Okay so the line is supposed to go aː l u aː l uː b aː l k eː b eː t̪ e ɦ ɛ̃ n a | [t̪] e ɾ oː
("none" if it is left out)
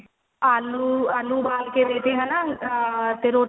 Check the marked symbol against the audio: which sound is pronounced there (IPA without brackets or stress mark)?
t̪